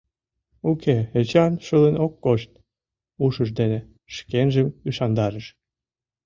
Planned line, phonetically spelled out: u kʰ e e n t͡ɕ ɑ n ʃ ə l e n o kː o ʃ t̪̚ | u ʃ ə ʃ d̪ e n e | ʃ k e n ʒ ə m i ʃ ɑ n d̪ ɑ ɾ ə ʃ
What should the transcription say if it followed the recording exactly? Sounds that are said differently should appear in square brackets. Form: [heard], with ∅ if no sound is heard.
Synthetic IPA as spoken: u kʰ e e [∅] t͡ɕ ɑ n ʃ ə l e n o kː o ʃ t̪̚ | u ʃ ə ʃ d̪ e n e | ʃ k e n ʒ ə m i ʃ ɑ n d̪ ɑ ɾ ə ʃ